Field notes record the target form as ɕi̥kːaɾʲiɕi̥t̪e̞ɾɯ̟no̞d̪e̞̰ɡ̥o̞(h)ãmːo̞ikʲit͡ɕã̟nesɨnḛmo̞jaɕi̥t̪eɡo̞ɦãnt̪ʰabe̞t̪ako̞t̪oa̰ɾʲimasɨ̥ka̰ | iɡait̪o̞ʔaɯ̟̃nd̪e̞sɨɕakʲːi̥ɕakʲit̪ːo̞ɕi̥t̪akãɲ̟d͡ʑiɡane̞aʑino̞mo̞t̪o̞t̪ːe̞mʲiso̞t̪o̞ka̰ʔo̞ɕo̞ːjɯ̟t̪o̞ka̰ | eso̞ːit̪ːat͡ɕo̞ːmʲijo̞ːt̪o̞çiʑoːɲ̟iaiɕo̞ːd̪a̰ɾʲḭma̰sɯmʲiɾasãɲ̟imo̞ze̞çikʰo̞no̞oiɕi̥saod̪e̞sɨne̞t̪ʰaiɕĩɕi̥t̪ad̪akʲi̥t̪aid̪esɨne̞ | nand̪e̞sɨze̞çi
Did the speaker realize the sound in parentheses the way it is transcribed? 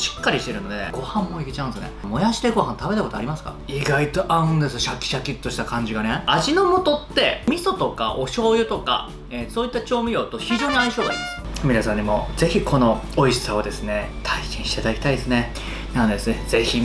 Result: yes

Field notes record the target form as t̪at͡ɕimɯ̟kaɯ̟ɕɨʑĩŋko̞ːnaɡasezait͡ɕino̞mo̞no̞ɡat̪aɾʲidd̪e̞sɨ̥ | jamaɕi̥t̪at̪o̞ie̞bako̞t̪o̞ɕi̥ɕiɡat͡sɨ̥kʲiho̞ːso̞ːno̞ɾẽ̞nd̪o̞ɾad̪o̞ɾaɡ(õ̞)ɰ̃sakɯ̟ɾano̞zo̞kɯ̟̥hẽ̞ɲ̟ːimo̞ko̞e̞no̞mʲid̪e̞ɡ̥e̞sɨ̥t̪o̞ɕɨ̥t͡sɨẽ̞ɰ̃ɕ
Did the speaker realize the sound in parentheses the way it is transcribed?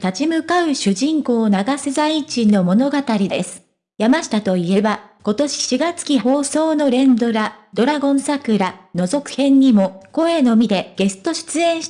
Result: yes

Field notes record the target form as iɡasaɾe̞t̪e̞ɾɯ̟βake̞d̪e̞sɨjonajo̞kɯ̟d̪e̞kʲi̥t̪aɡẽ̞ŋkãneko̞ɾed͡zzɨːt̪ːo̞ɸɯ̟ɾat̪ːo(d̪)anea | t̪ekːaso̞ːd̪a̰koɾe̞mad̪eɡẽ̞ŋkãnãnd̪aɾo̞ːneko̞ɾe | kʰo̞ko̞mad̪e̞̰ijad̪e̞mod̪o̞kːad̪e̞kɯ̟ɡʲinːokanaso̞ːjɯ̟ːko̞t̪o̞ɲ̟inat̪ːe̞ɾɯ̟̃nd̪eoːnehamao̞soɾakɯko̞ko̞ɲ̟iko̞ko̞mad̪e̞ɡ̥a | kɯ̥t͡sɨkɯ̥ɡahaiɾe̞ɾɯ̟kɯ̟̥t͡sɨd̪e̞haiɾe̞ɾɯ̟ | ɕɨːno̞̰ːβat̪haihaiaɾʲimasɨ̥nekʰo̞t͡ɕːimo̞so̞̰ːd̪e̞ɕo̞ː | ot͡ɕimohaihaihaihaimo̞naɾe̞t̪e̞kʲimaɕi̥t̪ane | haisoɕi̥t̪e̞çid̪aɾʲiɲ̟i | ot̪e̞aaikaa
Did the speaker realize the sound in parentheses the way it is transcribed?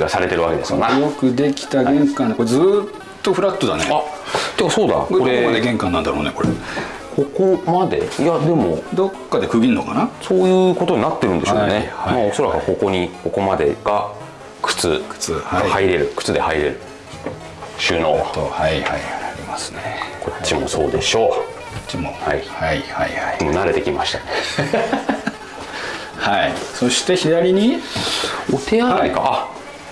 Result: yes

